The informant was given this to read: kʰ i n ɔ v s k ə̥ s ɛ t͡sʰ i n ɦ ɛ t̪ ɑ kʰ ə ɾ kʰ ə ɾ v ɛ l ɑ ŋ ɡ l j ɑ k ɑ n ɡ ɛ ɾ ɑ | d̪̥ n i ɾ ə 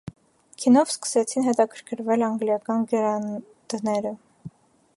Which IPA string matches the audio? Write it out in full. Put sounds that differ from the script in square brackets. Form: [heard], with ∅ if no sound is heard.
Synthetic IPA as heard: kʰ i n ɔ v s k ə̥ s ɛ t͡sʰ i n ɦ ɛ t̪ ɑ kʰ ə ɾ kʰ ə ɾ v ɛ l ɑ ŋ ɡ l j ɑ k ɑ n ɡ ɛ ɾ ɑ | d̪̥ n [ɛ] ɾ ə